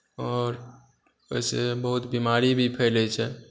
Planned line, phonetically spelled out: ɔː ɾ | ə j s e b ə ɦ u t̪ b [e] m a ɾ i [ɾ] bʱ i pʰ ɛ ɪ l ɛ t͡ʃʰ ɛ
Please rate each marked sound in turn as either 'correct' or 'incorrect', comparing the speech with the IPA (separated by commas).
incorrect, incorrect